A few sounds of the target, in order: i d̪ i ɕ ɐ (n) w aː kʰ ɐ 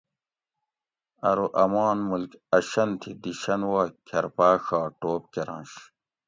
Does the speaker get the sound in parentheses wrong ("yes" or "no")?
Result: no